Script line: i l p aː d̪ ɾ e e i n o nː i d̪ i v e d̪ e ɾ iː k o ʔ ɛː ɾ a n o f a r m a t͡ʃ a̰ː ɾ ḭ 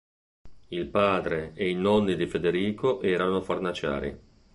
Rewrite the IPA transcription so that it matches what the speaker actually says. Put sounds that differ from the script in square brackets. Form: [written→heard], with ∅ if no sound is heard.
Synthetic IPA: i l p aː d̪ ɾ e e i n [o→ɔ] nː i d̪ i [v→f] e d̪ e ɾ iː k o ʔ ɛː ɾ a n o f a r [m→n] a t͡ʃ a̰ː ɾ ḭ